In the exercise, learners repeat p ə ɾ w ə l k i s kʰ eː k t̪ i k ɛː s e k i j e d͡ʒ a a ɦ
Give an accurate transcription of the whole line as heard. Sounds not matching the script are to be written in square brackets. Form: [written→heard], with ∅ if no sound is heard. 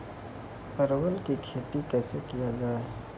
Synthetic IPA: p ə ɾ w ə l k i [s→∅] kʰ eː [k→∅] t̪ i k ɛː s e k i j [e→a] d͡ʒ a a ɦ

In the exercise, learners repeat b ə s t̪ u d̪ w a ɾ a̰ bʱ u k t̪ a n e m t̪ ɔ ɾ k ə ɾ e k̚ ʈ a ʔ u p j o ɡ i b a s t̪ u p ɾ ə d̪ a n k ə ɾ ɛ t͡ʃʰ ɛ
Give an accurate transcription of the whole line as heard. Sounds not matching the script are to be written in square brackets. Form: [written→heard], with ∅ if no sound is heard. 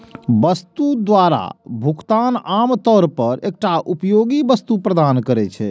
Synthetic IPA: b ə s t̪ u d̪ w a ɾ a̰ bʱ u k t̪ a n [e→a] m t̪ ɔ ɾ [k→p] ə ɾ e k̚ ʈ a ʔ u p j o ɡ i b [a→ə] s t̪ u p ɾ ə d̪ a n k ə ɾ ɛ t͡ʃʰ ɛ

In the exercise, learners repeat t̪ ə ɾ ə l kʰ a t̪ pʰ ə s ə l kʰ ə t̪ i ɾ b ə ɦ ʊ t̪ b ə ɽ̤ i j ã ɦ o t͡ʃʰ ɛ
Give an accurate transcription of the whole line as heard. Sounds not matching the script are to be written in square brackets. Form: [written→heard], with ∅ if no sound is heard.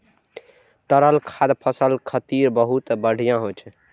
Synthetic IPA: t̪ ə ɾ ə l kʰ a [t̪→d̪] pʰ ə s ə l kʰ ə t̪ i ɾ b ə ɦ [ʊ→u] t̪ b ə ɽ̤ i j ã ɦ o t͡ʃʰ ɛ

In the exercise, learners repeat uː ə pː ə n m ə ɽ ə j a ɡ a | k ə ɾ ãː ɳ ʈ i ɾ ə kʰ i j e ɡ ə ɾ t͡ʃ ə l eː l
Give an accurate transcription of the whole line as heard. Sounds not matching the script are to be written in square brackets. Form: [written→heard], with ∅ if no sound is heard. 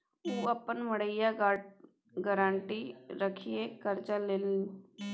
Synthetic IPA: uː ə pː ə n m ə ɽ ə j a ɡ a | [k→ɡ] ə ɾ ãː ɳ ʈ i ɾ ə kʰ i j e [ɡ→k] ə ɾ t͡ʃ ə l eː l

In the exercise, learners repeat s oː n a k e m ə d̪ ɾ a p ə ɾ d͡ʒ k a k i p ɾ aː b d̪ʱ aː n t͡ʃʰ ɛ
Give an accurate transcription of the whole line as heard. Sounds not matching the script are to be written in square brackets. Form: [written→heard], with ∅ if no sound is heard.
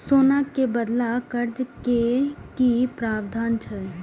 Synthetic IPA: s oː n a k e [m→b] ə d̪ [ɾ→l] a [p→k] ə ɾ d͡ʒ k [a→e] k i p ɾ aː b d̪ʱ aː n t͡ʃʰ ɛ

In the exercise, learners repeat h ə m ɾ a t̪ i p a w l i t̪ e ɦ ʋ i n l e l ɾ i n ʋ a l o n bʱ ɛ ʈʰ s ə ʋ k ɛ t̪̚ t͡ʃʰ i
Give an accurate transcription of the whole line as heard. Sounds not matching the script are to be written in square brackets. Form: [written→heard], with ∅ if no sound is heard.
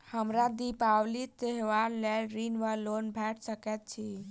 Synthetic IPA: h ə m ɾ a [t̪→d̪] i p a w l i t̪ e ɦ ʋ [i→a] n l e l ɾ i n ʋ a l o n bʱ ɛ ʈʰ s ə [ʋ→∅] k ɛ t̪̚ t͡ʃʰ i

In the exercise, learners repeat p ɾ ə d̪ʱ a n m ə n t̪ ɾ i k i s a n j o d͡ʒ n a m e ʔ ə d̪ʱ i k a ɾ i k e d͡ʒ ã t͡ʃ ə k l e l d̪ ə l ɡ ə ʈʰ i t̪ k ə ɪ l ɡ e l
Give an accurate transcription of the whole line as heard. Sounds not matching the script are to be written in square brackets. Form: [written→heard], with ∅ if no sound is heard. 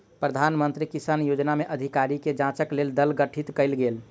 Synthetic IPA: p ɾ ə d̪ʱ a n m ə n t̪ ɾ i k i s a n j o d͡ʒ n a m e ʔ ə d̪ʱ i k a ɾ i k e d͡ʒ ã t͡ʃ ə k l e l d̪ ə l ɡ ə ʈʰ i t̪ k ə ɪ l ɡ e l

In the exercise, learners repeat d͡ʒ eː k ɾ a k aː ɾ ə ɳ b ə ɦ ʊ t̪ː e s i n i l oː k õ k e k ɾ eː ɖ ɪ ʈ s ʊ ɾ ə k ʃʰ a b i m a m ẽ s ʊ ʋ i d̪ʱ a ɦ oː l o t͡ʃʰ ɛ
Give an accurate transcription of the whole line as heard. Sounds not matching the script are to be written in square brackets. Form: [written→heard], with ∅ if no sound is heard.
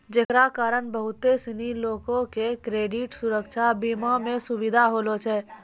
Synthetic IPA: d͡ʒ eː k ɾ a k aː ɾ ə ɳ b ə ɦ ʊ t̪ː e s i n i l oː k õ k e k ɾ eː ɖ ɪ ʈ s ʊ ɾ ə k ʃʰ a b i m a m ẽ s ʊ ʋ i d̪ʱ a ɦ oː l o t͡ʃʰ ɛ

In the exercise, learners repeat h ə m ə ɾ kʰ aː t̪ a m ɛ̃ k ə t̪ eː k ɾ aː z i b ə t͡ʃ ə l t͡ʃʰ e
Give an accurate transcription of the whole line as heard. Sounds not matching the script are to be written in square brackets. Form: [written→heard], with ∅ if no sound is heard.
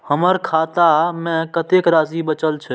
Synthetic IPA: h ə m ə ɾ kʰ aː t̪ a m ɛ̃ k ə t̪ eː k ɾ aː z i b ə t͡ʃ ə l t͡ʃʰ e

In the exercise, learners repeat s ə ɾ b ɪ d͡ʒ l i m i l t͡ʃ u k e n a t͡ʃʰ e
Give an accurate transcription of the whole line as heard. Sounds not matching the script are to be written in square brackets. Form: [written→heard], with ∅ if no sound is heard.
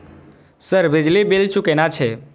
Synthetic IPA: s ə ɾ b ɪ d͡ʒ l i [m→b] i l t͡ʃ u k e n a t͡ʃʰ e

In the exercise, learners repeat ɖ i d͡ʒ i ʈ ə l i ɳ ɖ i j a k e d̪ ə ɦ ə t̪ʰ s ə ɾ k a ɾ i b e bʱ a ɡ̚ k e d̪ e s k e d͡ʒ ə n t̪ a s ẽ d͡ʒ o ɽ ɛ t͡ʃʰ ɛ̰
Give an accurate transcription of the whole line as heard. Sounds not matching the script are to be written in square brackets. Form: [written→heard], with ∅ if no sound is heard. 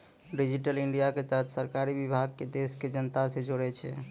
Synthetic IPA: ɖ i d͡ʒ i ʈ ə l i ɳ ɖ i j a k e [d̪→t̪] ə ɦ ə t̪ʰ s ə ɾ k a ɾ i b [e→i] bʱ a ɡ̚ k e d̪ e s k e d͡ʒ ə n t̪ a s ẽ d͡ʒ o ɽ ɛ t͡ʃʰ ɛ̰

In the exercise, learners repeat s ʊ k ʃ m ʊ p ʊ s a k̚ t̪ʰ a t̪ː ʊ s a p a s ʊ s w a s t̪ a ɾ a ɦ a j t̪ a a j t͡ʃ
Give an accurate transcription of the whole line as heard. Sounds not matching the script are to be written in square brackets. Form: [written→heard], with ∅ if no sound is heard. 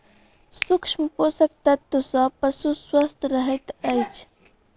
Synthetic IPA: s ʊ k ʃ m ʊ p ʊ s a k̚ [t̪ʰ→t̪] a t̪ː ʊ s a p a s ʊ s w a s t̪ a ɾ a ɦ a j t̪ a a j t͡ʃ

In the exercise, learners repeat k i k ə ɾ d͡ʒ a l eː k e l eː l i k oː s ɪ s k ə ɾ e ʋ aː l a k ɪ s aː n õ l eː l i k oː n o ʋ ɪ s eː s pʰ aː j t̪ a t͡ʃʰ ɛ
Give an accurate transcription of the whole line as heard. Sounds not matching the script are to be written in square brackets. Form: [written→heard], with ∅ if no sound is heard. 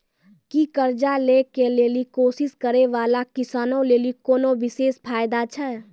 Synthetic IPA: k i k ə ɾ d͡ʒ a l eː k e l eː l i k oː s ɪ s k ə ɾ e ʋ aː l a k ɪ s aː n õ l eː l i k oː n o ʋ ɪ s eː s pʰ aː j [t̪→d̪] a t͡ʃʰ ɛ

